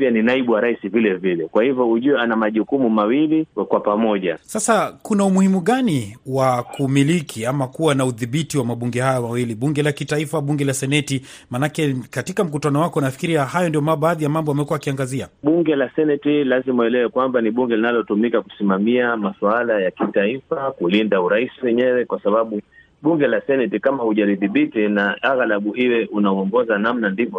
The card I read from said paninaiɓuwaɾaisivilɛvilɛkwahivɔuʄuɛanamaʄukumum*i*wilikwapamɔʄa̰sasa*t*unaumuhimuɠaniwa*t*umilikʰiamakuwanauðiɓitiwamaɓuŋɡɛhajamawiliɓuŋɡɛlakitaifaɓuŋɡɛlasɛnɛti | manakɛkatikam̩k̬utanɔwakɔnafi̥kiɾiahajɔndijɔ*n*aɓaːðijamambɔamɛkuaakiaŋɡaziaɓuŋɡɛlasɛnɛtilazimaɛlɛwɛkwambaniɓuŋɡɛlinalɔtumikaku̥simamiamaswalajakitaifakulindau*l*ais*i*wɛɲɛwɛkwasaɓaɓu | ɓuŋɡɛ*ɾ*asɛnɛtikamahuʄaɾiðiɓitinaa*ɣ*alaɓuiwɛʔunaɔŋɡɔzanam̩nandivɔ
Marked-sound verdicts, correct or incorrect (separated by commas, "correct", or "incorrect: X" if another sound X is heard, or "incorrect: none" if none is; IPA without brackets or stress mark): incorrect: a, incorrect: k, incorrect: k, incorrect: m, incorrect: ɾ, correct, incorrect: l, correct